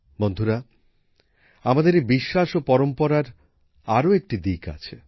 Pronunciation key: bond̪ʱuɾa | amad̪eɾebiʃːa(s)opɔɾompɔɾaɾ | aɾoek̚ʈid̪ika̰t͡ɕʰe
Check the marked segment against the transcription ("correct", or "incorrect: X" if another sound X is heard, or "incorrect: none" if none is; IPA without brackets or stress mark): incorrect: ʃ